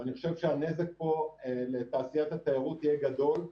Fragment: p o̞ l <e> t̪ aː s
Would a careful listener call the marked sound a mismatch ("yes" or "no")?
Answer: no